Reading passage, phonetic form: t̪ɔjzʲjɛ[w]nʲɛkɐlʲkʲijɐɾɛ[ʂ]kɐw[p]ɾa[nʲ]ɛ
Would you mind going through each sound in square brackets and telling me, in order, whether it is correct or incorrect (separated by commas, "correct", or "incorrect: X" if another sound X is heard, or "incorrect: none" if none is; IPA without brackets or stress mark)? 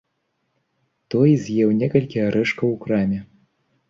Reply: correct, correct, incorrect: k, incorrect: mʲ